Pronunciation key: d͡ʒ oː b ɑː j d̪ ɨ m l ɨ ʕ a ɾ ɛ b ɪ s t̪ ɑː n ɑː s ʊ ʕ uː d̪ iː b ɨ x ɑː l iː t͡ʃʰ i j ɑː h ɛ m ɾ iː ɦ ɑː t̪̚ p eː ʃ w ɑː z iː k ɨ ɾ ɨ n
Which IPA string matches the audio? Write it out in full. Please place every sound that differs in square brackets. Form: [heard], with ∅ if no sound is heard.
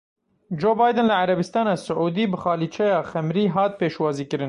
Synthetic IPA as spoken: d͡ʒ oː b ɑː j d̪ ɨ [n] l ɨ ʕ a ɾ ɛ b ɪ s t̪ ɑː n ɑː s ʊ ʕ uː d̪ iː b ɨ x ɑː l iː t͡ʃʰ [ɛ] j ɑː [x] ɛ m ɾ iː ɦ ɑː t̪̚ p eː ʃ w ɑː z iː k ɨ ɾ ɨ n